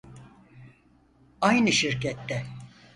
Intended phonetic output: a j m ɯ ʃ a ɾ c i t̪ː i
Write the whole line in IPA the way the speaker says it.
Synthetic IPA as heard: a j n ɯ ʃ i ɾ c ɛ t̪ː ɛ